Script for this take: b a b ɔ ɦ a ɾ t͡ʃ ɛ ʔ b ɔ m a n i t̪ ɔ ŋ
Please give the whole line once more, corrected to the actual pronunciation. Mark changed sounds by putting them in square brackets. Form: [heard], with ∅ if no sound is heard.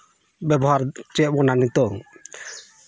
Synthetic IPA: b [ɛ] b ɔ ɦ a ɾ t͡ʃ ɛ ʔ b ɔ [n] a n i t̪ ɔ ŋ